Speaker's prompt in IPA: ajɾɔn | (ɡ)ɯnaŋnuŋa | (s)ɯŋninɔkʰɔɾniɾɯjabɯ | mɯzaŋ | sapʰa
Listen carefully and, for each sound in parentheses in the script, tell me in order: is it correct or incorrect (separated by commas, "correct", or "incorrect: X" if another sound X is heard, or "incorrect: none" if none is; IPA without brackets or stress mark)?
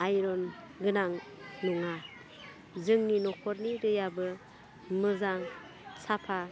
correct, incorrect: z